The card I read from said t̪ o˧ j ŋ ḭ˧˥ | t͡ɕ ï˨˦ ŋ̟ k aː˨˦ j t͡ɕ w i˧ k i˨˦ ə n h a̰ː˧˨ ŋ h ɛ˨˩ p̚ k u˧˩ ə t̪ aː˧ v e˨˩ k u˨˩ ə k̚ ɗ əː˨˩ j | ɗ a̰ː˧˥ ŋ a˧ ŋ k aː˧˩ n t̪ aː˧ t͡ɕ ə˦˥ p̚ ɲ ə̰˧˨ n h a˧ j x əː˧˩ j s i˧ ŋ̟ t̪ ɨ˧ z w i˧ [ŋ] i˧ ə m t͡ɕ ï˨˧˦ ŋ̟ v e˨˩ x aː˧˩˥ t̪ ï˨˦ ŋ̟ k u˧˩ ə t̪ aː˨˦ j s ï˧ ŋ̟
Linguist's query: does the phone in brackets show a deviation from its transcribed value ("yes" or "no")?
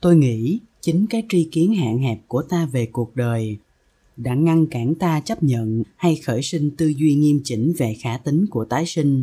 no